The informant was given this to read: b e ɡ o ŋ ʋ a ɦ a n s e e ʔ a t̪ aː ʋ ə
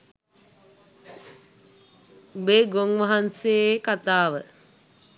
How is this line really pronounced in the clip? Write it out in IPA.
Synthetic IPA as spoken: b e ɡ o ŋ ʋ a ɦ a n s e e k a t̪ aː ʋ ə